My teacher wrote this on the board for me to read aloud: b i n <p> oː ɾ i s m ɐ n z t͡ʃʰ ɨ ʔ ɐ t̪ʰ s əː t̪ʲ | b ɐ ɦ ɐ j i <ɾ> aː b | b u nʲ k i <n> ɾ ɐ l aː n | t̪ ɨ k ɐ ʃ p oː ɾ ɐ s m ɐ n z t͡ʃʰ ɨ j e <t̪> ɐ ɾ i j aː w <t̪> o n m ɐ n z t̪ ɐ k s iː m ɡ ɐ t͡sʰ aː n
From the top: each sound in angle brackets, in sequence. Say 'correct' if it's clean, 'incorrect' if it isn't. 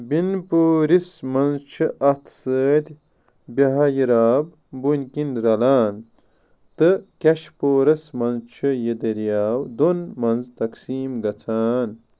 correct, correct, correct, incorrect: d̪, incorrect: d̪

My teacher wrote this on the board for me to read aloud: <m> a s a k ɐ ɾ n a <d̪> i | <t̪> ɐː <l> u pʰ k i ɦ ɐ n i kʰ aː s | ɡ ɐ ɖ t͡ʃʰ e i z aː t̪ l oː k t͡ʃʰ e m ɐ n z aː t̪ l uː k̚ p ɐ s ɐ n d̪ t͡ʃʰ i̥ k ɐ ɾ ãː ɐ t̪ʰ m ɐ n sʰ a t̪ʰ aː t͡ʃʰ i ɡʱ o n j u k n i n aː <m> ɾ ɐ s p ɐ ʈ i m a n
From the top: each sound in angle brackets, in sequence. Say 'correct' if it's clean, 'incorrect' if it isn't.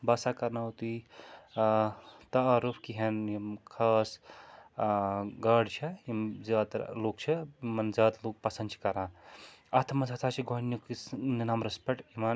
incorrect: b, incorrect: t̪, correct, incorrect: ɾ, correct

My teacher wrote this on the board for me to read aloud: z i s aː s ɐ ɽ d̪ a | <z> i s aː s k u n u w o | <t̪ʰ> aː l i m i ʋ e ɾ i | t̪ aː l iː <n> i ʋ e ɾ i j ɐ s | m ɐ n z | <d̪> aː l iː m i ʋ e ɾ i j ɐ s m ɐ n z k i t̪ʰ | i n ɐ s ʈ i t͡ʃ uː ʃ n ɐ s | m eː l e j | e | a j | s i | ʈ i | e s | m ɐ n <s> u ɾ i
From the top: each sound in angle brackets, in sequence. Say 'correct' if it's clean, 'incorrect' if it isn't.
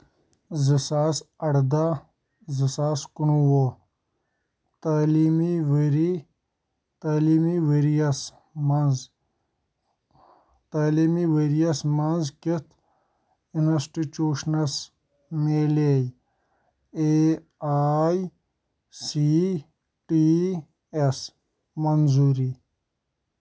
correct, incorrect: t̪, incorrect: m, incorrect: t̪, incorrect: z

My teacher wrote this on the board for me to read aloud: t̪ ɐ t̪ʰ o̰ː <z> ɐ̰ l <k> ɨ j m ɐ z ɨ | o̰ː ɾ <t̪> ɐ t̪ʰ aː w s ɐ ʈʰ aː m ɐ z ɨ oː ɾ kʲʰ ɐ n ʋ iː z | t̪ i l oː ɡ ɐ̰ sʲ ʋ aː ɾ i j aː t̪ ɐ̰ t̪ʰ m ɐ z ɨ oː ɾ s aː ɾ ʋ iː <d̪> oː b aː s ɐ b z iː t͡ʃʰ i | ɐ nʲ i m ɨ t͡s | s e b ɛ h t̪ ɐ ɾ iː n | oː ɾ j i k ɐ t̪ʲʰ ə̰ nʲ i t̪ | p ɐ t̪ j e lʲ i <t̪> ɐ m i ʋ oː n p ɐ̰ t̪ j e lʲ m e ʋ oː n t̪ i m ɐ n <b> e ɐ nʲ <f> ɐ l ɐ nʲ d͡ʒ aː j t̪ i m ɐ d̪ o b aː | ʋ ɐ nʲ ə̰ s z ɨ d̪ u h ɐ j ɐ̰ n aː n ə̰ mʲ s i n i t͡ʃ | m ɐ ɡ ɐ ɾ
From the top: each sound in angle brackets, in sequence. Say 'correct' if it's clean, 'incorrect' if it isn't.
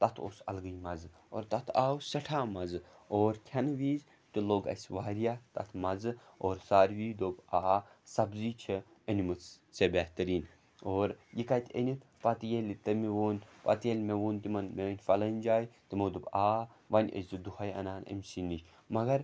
incorrect: s, incorrect: ɡ, correct, correct, correct, incorrect: m, correct

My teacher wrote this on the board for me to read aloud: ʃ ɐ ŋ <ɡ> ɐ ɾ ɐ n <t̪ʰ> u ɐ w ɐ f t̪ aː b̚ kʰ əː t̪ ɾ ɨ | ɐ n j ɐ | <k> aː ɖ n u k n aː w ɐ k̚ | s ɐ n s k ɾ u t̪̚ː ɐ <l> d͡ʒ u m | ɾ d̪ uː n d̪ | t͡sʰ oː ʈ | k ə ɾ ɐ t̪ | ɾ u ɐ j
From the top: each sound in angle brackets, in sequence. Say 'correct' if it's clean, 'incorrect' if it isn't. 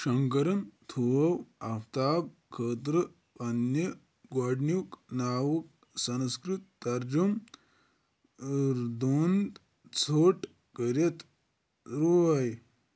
incorrect: k, correct, incorrect: ɡ, incorrect: ɾ

